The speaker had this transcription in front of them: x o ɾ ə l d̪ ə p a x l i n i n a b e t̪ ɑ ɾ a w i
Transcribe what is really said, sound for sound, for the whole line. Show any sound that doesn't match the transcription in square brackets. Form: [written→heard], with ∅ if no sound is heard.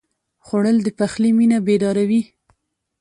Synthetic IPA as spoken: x o [ɾ→ɽ] ə l d̪ ə p a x l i [n→m] i n a b e [t̪→d̪] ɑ ɾ a w i